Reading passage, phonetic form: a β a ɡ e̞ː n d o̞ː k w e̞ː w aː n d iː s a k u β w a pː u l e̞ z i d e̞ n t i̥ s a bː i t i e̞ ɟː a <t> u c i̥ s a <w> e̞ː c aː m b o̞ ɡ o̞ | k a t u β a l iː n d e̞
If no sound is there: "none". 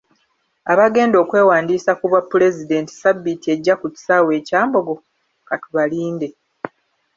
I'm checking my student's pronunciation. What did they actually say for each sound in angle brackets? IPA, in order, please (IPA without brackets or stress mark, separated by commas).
k, w